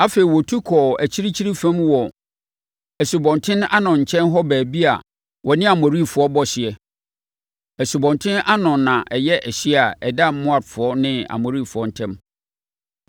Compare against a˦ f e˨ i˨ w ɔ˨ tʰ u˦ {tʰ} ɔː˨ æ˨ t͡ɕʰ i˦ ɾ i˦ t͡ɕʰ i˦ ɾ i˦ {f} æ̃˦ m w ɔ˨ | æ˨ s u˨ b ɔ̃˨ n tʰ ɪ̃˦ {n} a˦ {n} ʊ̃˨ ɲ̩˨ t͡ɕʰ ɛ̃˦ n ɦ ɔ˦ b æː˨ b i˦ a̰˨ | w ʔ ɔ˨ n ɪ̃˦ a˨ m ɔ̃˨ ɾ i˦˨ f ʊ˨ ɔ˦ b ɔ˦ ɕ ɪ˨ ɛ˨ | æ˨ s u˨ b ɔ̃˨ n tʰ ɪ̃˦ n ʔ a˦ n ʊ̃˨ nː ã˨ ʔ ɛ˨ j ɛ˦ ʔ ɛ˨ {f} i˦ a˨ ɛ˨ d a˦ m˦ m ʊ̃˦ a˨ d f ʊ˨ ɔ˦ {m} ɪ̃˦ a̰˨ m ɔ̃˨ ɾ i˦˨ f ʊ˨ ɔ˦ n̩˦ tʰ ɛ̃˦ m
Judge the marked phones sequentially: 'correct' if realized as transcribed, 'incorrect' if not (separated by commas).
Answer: incorrect, correct, correct, correct, incorrect, incorrect